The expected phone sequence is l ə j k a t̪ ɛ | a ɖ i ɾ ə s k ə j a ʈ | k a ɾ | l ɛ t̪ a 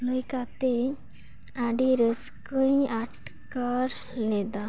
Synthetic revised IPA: l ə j k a t̪ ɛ | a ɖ i ɾ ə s k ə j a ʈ | k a ɾ | l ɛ d̪ a